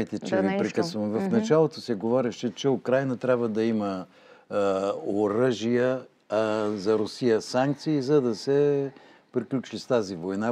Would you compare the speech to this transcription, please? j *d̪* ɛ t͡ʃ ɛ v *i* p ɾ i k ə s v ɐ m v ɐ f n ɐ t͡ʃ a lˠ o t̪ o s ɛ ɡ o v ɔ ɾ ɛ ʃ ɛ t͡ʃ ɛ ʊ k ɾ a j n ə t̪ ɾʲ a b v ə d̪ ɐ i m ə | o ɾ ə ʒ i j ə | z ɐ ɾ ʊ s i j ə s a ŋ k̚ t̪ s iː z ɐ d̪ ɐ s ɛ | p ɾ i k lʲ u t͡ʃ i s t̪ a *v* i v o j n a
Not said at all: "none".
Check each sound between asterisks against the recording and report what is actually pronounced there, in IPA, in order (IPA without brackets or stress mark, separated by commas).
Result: t̪, i, z